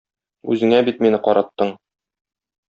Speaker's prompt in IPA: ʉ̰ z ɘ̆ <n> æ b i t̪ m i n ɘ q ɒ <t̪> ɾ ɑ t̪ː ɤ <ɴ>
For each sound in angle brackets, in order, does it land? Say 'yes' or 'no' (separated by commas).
no, no, yes